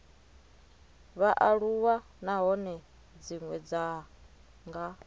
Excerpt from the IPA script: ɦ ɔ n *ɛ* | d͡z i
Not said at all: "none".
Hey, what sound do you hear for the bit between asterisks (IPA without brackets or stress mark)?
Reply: ɛ